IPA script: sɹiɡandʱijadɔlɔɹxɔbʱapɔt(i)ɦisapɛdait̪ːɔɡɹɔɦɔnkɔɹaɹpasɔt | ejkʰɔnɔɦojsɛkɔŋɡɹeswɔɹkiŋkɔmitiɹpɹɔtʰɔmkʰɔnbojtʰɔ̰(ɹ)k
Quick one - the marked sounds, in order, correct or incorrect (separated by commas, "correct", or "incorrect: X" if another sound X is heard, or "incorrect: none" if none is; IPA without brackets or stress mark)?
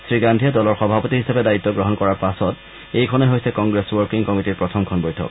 correct, incorrect: none